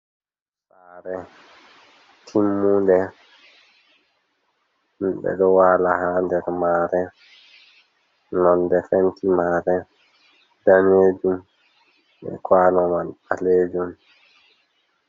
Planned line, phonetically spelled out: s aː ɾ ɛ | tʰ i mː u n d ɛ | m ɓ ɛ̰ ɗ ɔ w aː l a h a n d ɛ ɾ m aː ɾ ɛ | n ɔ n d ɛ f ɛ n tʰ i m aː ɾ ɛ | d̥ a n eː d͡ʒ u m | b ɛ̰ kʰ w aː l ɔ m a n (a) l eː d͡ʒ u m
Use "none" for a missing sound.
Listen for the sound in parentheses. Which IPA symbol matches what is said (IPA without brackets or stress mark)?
a